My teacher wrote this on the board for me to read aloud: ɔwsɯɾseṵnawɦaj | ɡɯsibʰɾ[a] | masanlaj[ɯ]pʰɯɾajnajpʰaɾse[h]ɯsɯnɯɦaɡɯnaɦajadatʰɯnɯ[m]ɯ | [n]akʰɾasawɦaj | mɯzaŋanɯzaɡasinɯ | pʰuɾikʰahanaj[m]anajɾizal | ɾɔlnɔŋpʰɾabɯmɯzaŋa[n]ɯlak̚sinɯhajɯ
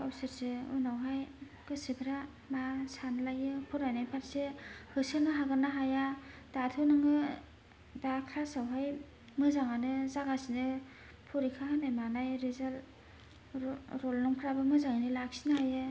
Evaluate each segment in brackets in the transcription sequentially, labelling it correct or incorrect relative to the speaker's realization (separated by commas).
correct, correct, correct, incorrect, incorrect, correct, correct